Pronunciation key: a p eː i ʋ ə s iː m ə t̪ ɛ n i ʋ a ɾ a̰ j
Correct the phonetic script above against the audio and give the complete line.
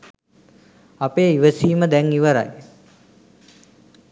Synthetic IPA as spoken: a p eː i ʋ ə s iː m ə d̪ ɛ ŋ i ʋ ə ɾ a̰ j